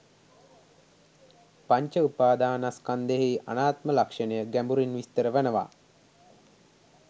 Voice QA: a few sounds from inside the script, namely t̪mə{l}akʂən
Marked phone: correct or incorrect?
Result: correct